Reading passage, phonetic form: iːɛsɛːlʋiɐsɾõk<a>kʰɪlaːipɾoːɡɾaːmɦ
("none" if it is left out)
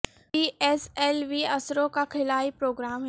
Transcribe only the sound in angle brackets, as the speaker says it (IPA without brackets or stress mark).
a